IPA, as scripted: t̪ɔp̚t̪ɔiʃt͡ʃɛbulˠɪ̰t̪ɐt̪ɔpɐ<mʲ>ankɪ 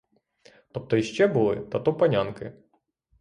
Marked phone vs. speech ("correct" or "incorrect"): incorrect